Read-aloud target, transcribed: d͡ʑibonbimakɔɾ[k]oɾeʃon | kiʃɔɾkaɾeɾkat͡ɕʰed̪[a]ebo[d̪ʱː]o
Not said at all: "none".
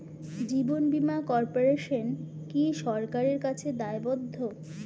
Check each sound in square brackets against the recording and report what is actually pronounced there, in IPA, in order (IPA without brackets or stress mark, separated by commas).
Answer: p, a, d̪ʱː